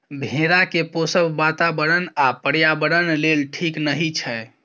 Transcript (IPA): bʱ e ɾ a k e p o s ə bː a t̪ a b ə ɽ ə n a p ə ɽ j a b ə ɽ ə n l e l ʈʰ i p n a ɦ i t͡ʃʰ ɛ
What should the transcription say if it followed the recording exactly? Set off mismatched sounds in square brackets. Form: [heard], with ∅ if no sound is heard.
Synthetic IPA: bʱ e ɾ a k e p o s ə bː a t̪ a b ə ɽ ə n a p ə ɽ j a b ə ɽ ə n l e l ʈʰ i [k] n [ə] ɦ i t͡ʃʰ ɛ

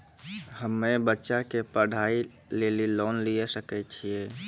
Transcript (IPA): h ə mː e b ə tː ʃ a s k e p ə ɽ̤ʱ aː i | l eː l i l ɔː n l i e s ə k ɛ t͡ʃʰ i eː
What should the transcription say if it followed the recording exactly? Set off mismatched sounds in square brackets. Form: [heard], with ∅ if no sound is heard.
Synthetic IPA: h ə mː e b ə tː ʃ a [∅] k e p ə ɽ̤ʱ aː i | l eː l i l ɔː n l i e s ə k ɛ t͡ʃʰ i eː

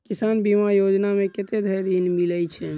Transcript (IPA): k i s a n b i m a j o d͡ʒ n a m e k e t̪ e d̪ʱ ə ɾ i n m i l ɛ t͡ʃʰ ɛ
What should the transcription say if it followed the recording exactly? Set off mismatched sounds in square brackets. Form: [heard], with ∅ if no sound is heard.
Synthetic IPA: k i s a n b i m a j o d͡ʒ n a m e k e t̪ e d̪ʱ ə ɾ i n m i l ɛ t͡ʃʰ ɛ

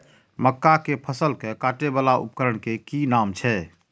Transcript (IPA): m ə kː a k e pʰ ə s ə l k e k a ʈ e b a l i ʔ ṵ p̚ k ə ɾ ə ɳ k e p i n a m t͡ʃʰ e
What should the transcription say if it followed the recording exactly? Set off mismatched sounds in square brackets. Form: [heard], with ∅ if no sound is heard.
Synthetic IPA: m ə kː a k e pʰ ə s ə l k e k a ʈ e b a l [a] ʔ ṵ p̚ k ə ɾ ə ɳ k e [k] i n a m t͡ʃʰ [ɛ]

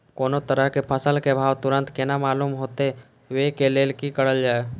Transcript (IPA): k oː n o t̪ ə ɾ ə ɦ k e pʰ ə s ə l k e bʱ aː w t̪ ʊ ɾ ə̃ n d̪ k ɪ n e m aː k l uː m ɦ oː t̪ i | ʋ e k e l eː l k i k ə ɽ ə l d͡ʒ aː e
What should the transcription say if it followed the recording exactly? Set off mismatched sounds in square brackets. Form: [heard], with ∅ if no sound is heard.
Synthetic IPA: k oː n o t̪ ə ɾ ə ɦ k e pʰ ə s ə l k e bʱ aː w t̪ ʊ ɾ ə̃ n [t̪] k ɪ n [a] m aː [∅] l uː m ɦ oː t̪ [e] | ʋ e k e l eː l k i k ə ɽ ə l d͡ʒ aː e

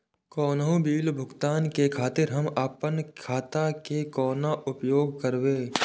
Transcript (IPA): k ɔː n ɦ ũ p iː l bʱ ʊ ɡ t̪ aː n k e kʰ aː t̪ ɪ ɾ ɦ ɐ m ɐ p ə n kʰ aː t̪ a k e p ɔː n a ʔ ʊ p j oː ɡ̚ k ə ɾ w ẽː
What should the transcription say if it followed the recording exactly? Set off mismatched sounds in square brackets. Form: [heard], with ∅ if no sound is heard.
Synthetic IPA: k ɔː n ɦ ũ [b] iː l bʱ ʊ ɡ t̪ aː n k e kʰ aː t̪ ɪ ɾ ɦ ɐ m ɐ p ə n kʰ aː t̪ a k e [k] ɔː n a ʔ ʊ p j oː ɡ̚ k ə ɾ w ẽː

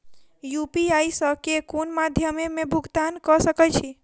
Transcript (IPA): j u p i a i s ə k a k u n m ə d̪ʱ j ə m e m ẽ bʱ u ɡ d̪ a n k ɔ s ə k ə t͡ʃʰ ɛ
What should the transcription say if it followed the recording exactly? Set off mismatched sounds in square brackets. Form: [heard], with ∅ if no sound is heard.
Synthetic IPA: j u p i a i s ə k [e] k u n m [a] d̪ʱ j ə m e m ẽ bʱ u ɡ [t̪] a n k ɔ s ə k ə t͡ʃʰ [i]

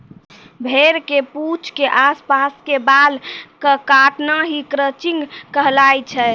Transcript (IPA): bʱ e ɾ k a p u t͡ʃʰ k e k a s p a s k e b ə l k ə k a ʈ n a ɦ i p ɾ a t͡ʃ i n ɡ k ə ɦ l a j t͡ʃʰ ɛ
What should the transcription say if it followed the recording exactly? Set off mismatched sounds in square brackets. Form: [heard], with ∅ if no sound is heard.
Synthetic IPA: bʱ e ɾ k [e] p u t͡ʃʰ k e [ʔ] a s p a s k e b [a] l k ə k a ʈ n a ɦ i [k] ɾ [ə] t͡ʃ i [ŋ] ɡ k ə ɦ l a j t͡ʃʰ ɛ

